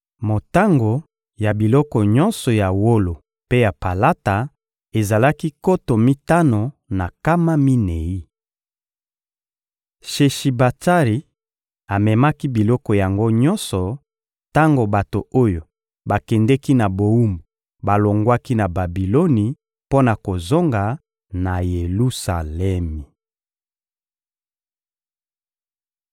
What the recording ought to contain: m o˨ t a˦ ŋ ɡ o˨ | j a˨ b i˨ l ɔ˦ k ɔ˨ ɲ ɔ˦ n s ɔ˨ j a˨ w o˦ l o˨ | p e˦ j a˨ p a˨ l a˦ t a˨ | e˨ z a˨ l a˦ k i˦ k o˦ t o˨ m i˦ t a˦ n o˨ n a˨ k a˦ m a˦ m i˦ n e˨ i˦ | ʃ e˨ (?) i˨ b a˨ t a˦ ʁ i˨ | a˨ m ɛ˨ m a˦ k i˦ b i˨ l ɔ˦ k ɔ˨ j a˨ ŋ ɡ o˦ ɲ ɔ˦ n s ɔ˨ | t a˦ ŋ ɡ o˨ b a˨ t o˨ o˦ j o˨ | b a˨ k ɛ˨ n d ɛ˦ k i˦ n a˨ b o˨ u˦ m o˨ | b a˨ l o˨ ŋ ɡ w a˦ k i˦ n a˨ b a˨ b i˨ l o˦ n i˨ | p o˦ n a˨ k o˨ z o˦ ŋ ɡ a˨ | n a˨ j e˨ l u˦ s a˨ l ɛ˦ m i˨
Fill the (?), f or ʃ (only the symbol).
ʃ